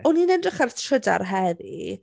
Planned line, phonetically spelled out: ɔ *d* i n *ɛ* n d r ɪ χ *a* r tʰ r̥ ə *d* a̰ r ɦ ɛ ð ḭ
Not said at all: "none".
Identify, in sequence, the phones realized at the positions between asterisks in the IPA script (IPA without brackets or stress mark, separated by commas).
n, ɛ, a, d